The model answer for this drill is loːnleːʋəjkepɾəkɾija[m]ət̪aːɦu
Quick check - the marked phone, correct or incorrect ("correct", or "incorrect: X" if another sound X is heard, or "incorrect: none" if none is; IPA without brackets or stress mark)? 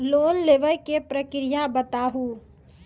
incorrect: b